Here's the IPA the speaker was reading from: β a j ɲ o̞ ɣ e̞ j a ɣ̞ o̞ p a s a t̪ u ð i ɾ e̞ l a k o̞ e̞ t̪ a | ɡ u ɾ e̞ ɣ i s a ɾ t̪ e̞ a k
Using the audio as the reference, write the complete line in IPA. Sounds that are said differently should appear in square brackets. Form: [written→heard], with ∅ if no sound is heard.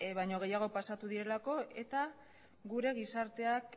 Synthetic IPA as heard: β a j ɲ o̞ ɣ e̞ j a ɣ̞ o̞ p a s a t̪ u ð i ɾ e̞ l a k o̞ e̞ t̪ a | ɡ u ɾ e̞ ɣ i s a ɾ t̪ e̞ a k